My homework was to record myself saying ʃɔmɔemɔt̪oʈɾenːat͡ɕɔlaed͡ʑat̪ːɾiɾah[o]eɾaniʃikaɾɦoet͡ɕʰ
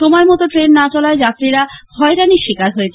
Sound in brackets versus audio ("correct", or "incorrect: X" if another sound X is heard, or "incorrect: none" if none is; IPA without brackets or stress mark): incorrect: ɔ